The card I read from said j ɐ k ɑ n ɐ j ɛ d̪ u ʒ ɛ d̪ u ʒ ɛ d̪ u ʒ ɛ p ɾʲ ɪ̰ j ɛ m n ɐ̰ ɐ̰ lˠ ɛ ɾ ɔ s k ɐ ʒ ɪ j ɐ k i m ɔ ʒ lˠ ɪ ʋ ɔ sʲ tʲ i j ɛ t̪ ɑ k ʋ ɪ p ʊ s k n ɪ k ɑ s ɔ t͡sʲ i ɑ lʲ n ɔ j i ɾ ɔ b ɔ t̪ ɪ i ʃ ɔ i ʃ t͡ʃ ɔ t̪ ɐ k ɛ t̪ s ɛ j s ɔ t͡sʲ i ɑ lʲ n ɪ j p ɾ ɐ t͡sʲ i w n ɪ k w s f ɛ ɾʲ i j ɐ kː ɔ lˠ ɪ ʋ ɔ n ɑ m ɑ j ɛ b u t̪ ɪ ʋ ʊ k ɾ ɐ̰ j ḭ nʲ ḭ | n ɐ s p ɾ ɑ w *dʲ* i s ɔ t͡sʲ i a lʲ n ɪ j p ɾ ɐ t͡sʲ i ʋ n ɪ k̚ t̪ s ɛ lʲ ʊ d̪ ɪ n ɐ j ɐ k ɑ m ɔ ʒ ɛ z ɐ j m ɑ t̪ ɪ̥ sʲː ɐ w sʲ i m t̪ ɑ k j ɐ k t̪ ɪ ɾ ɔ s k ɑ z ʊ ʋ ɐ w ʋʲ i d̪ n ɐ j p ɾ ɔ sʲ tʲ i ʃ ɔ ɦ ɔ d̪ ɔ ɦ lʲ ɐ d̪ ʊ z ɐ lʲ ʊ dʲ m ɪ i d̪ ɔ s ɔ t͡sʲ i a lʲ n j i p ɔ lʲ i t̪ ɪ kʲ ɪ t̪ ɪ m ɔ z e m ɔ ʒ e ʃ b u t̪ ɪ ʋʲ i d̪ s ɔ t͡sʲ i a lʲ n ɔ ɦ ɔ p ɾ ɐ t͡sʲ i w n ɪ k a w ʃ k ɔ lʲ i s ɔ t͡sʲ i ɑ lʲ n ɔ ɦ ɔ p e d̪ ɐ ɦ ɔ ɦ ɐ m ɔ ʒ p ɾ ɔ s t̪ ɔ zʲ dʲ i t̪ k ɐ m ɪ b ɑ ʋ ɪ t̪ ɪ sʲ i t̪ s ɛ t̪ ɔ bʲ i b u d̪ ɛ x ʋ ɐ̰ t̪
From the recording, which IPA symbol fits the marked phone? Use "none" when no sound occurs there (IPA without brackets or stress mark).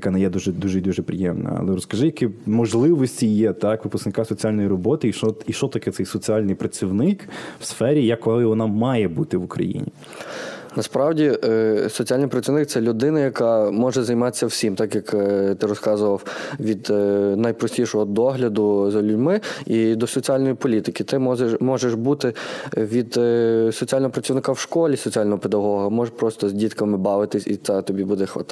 dʲ